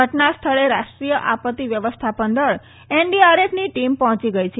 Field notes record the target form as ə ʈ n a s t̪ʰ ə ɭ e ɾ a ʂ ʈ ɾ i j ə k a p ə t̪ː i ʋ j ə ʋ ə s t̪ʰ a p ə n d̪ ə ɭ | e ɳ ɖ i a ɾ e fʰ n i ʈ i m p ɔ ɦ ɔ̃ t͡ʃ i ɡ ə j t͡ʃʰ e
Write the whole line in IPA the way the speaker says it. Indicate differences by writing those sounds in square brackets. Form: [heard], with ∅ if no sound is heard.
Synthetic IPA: ə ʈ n a s t̪ʰ ə ɭ e ɾ a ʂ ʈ ɾ i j ə [ʔ] a p ə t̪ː i ʋ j ə ʋ ə s t̪ʰ a p ə n d̪ ə ɭ | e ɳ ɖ i a ɾ e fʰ n i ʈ i m p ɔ ɦ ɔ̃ t͡ʃ i ɡ ə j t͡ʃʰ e

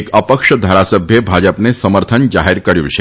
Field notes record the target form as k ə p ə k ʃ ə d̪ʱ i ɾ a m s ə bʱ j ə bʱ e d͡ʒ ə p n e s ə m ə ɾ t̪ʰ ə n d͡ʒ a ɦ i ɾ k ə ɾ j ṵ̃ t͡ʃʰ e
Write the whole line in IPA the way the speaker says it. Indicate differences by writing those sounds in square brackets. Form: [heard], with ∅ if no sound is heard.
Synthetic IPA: k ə p ə k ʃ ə d̪ʱ [a] ɾ a [∅] s ə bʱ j ə bʱ [a] d͡ʒ ə p n e s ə m ə ɾ t̪ʰ ə n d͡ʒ a ɦ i ɾ k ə ɾ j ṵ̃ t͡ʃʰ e

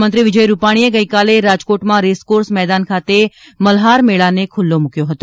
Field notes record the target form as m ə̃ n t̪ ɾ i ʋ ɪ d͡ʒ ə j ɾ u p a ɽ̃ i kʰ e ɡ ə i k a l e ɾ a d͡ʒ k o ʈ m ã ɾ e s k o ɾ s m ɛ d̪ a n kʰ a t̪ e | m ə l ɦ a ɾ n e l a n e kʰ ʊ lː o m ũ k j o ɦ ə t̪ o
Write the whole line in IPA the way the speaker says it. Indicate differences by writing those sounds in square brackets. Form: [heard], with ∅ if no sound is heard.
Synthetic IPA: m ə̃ n t̪ ɾ i ʋ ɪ d͡ʒ ə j ɾ u p a ɽ̃ i [∅] e ɡ ə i k a l e ɾ a d͡ʒ k o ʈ m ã ɾ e s k o ɾ s m ɛ d̪ a n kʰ a t̪ e | m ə l ɦ a ɾ [m] e [ɭ] a n e kʰ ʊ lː o m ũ k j o ɦ ə t̪ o

